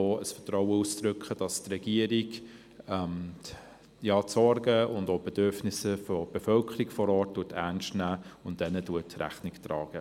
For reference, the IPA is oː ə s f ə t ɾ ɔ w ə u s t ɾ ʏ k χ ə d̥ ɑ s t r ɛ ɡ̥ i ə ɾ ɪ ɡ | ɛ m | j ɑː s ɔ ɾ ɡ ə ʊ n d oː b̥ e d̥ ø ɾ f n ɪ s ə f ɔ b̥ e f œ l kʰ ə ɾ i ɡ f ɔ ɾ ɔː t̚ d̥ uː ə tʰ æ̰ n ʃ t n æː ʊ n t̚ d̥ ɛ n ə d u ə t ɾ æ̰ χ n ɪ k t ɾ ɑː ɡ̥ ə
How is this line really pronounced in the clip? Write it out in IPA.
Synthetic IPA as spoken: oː ə s f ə t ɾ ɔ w ə u s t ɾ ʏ k χ ə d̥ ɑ s t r ɛ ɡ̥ i ə ɾ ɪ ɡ | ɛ m | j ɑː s ɔ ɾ ɡ ə ʊ n d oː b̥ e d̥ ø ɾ f n ɪ s ə f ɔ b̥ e f œ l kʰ ə ɾ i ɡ f ɔ ɾ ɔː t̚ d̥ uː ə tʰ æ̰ n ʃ t n æː ʊ n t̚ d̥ ɛ n ə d u ə t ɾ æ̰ χ n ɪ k t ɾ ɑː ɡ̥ ə